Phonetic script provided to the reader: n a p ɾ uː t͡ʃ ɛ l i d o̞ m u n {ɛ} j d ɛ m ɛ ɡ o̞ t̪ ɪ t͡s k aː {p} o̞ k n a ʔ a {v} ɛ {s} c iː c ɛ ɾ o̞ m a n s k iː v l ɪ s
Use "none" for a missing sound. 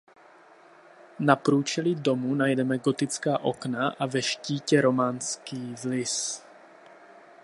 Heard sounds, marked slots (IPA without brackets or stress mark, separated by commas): a, ʔ, v, ʃ